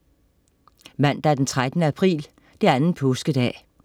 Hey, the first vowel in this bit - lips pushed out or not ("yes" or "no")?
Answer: no